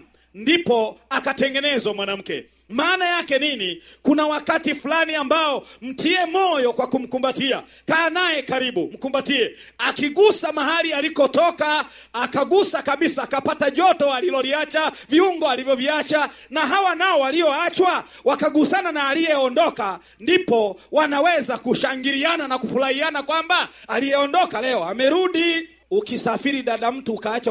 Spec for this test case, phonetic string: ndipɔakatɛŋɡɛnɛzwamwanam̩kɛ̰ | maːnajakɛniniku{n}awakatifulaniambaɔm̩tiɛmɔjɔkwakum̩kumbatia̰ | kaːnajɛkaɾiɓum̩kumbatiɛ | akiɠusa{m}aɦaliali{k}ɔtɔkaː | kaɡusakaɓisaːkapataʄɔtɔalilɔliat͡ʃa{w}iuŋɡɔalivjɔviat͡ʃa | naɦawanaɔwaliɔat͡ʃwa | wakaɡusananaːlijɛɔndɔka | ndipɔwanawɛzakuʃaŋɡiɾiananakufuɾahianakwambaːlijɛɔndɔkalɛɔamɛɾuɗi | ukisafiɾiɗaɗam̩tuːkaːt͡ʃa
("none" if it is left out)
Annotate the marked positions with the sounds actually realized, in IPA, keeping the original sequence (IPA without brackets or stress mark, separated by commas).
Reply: n, m, k, v